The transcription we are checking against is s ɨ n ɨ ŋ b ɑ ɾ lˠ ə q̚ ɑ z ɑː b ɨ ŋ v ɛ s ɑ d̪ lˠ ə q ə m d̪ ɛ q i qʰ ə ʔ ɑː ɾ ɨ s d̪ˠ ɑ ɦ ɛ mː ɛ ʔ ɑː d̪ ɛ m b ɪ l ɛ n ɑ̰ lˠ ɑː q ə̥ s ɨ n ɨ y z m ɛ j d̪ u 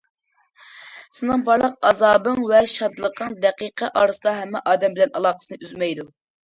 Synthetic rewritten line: s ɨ n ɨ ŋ b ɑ ɾ lˠ ə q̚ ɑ z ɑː b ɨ ŋ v ɛ ʃ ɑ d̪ lˠ ə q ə ŋ d̪ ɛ q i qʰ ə ʔ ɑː ɾ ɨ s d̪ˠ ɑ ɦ ɛ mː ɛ ʔ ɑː d̪ ɛ m b ɪ l ɛ n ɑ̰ lˠ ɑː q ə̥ s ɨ n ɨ y z m ɛ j d̪ u